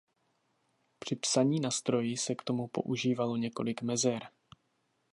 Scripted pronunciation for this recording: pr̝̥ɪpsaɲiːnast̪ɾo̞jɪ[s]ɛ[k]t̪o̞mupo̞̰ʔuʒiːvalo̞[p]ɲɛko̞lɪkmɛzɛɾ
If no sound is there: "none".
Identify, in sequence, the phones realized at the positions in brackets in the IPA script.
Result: s, k, none

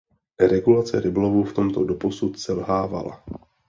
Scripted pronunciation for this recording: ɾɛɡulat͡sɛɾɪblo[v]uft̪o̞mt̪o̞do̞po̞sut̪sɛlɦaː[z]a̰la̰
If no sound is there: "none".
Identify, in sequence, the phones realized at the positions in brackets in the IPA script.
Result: v, v

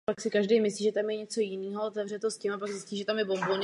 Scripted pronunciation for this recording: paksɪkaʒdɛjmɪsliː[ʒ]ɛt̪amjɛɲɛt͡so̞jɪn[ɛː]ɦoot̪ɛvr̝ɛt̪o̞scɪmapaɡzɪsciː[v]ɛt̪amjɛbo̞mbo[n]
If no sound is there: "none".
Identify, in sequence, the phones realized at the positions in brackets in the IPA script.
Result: ʒ, iː, ʒ, n

